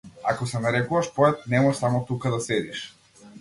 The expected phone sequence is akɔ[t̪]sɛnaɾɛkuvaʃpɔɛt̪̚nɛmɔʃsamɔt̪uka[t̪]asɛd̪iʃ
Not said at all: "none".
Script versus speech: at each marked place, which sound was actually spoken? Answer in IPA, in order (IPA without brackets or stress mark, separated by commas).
none, d̪